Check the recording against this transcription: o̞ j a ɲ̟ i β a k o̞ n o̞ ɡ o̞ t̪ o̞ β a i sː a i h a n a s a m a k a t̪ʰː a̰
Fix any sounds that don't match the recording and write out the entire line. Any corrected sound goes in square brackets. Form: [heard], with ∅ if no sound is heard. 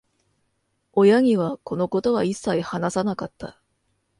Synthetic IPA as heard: o̞ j a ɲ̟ i β a k o̞ n o̞ [k] o̞ t̪ o̞ β a i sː a i h a n a s a [n] a k a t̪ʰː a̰